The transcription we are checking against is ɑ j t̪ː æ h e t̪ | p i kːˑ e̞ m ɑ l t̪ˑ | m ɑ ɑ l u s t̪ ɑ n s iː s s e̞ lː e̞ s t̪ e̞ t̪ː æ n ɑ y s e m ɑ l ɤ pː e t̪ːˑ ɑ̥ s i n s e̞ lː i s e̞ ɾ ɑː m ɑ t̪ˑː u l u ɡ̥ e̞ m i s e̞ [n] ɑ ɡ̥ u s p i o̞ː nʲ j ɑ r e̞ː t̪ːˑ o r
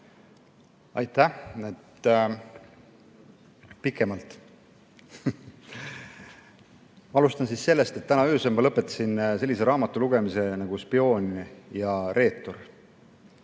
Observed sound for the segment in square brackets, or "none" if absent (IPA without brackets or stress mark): n